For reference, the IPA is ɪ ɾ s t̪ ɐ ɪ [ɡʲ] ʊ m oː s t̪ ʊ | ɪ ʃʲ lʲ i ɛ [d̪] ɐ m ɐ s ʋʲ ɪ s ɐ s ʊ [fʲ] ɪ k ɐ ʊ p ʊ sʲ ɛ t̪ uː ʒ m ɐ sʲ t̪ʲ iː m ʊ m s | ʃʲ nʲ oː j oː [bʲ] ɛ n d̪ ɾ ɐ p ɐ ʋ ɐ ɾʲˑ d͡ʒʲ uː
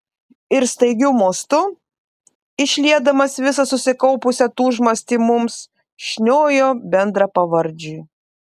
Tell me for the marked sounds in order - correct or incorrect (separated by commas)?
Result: correct, correct, incorrect, correct